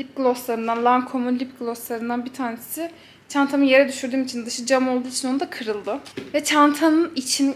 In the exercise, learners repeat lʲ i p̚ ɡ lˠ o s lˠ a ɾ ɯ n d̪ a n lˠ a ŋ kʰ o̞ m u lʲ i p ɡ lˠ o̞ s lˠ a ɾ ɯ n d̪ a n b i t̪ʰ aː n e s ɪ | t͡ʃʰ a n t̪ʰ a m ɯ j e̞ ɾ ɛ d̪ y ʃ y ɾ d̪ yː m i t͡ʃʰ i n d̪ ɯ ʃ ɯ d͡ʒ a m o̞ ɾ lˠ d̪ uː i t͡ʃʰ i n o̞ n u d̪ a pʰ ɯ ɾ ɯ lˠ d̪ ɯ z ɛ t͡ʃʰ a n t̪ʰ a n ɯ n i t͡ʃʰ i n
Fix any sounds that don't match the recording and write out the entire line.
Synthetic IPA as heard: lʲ i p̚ ɡ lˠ o s lˠ a ɾ ɯ n d̪ a n lˠ a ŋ kʰ o̞ m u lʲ i p ɡ lˠ o̞ s lˠ a ɾ ɯ n d̪ a n b i t̪ʰ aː n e s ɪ | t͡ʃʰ a n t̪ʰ a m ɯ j e̞ ɾ ɛ d̪ y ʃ y ɾ d̪ yː m i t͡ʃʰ i n d̪ ɯ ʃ ɯ d͡ʒ a m o̞ lˠ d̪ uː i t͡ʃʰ i n o̞ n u d̪ a kʰ ɯ ɾ ɯ lˠ d̪ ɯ v ɛ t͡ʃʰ a n t̪ʰ a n ɯ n i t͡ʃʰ i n